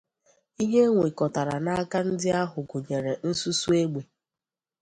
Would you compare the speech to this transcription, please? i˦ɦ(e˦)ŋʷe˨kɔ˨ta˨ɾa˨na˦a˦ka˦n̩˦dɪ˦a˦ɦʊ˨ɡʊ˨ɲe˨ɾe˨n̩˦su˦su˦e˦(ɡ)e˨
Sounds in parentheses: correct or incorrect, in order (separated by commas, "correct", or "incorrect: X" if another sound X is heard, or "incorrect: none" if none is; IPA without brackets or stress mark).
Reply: correct, incorrect: ɡ͡b